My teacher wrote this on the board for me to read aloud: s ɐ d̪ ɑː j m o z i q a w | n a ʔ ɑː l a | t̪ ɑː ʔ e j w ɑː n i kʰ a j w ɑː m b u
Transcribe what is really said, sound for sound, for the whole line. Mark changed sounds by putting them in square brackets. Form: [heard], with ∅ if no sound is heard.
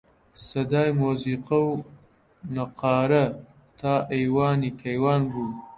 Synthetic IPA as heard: s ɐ d̪ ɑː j m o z i q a w | n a [q] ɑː [ɾ] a | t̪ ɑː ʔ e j w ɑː n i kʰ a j w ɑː [n] b u

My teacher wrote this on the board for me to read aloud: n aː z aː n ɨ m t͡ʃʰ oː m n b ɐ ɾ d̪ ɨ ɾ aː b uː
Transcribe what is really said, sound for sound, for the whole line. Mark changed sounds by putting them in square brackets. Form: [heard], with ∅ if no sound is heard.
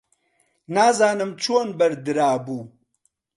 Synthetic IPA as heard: n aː z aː n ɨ m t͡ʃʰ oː [∅] n b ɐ ɾ d̪ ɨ ɾ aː b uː

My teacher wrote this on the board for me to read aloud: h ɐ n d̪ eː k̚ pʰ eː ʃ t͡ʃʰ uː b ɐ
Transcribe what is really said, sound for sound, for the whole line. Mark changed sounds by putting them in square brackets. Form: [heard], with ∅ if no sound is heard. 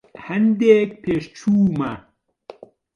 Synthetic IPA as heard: h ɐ n d̪ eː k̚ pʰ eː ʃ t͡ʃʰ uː [m] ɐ

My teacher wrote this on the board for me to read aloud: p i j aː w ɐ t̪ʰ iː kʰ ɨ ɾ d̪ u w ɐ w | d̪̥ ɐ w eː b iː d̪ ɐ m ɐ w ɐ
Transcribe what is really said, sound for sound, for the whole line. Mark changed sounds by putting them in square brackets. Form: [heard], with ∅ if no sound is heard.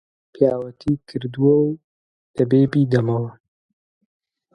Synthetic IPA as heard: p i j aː w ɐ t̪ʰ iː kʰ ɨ ɾ d̪ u w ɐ w | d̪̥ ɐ [b] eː b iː d̪ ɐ m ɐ w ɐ

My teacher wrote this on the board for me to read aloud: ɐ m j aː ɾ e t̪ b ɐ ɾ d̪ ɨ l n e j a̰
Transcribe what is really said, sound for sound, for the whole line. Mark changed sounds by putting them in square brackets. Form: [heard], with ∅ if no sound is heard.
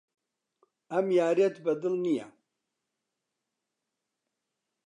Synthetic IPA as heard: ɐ m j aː ɾ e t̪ b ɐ [∅] d̪ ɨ l n [i] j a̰

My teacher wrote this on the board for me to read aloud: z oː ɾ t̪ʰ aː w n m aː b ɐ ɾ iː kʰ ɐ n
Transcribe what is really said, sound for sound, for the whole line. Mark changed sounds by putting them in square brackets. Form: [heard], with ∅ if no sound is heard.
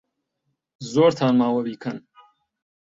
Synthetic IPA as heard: z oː ɾ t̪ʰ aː [∅] n m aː [w] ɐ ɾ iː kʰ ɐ n

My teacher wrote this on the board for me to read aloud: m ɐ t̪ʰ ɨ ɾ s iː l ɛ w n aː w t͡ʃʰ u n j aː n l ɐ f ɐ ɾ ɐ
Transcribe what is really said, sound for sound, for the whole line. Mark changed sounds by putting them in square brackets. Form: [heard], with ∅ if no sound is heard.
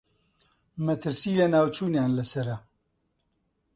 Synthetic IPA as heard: m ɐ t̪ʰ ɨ ɾ s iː l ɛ [∅] n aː w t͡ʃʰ [uː] n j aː n l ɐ [s] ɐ ɾ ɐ

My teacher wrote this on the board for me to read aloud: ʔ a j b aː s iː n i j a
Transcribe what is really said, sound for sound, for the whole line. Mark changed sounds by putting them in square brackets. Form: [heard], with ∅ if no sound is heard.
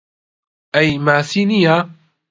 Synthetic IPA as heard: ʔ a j [m] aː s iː n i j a

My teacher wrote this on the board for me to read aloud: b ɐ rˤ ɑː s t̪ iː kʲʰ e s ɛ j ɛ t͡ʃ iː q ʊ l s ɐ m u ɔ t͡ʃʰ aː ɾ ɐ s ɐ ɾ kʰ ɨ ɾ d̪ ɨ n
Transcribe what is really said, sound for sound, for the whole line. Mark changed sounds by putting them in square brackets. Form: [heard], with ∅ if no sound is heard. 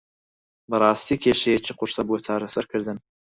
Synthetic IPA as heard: b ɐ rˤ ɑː s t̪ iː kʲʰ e [ʃ] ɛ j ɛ t͡ʃ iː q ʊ [ɾ] s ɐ [b] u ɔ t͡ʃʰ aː ɾ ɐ s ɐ ɾ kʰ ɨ ɾ d̪ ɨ n

